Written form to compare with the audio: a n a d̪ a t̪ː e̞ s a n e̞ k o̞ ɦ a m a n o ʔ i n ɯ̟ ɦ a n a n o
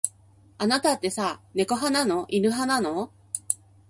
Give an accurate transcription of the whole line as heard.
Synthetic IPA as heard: a n a t̪ a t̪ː e̞ s a n e̞ k o̞ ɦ a n a n o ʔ i n ɯ̟ ɦ a n a n o